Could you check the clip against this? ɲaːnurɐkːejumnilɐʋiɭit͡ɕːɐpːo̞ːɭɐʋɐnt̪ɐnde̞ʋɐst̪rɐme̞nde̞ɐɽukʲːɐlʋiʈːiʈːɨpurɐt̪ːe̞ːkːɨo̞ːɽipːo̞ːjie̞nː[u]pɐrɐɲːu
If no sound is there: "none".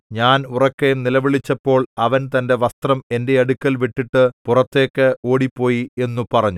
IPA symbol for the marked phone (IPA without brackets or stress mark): u